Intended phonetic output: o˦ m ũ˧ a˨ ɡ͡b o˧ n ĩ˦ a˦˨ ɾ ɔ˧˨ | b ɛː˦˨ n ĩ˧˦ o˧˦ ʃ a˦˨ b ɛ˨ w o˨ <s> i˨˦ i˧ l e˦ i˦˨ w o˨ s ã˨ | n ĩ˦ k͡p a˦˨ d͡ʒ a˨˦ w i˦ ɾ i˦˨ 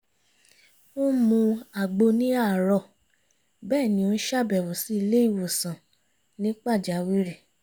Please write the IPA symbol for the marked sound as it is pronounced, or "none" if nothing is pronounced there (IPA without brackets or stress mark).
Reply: s